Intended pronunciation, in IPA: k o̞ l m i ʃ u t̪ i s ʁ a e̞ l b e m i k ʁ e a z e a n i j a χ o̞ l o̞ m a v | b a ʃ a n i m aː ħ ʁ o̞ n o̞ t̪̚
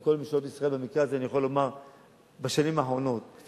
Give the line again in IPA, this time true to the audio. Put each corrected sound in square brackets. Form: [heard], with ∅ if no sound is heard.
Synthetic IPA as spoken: k o̞ l m i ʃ [o] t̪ i s ʁ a e̞ l b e m i k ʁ e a z e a n i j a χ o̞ l o̞ m a [ʁ] | b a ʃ a n i m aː ħ ʁ o̞ n o̞ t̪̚